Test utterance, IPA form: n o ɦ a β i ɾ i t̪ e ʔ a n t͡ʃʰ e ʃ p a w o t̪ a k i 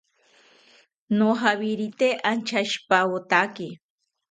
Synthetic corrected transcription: n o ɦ a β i ɾ i t̪ e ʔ a n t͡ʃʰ a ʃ p a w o t̪ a k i